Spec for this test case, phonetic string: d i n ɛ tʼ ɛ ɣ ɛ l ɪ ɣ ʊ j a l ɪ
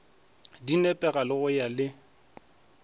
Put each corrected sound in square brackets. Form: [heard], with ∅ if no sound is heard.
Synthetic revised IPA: d i n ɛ [pʼ] ɛ ɣ [a] l ɪ ɣ ʊ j a l ɪ